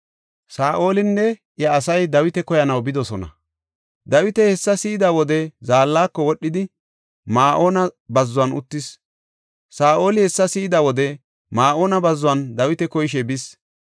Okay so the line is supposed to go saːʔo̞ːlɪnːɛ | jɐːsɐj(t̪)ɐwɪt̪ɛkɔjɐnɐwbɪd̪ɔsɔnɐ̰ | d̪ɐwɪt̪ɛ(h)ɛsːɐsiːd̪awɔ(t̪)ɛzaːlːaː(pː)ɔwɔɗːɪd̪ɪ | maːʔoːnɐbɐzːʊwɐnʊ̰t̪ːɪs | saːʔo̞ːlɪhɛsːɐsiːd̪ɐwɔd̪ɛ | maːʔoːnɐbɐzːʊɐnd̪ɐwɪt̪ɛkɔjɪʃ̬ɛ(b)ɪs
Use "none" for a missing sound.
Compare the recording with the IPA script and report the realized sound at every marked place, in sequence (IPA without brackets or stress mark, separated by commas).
d̪, h, d̪, kː, b